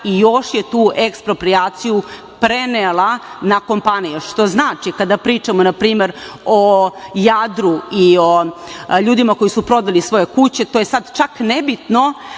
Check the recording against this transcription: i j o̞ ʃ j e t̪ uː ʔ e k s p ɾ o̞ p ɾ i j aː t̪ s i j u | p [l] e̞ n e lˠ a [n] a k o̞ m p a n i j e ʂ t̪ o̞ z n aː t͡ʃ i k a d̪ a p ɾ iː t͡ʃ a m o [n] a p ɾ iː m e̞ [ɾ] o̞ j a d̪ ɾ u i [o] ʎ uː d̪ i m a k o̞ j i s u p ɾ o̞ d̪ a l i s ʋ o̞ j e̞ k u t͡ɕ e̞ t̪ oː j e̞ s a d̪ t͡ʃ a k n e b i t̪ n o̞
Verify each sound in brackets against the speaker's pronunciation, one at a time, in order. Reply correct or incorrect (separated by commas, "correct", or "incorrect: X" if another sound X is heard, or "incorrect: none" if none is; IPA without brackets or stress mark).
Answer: incorrect: ɾ, correct, correct, correct, correct